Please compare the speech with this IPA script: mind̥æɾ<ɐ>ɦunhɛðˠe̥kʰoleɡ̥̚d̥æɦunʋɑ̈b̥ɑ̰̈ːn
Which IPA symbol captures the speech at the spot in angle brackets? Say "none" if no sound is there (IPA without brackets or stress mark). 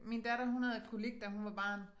ɐ